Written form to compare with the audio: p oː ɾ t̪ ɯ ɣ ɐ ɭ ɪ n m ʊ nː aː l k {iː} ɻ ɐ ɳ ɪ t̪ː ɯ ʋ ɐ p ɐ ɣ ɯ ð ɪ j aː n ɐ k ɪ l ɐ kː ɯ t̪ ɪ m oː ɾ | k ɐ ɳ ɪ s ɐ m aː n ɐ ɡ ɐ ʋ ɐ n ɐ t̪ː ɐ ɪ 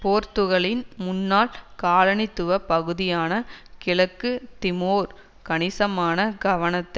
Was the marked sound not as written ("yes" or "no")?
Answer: yes